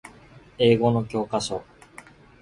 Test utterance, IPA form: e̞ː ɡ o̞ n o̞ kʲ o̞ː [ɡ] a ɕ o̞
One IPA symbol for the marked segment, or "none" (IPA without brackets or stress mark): k